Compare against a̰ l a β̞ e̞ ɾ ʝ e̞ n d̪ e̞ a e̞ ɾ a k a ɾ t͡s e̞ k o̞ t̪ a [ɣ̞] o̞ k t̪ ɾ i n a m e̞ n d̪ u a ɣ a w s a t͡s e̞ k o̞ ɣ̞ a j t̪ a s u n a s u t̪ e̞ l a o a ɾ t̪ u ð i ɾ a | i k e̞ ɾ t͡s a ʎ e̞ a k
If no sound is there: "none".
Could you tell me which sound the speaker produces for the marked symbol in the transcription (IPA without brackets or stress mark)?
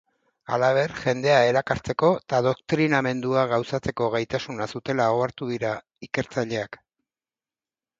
ð̞